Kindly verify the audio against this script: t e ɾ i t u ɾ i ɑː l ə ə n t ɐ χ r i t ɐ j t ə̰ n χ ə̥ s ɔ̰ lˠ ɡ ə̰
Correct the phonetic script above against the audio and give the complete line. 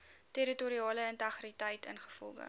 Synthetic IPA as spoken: t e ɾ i t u ɾ i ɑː l ə ə n t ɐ χ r i t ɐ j t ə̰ n χ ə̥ f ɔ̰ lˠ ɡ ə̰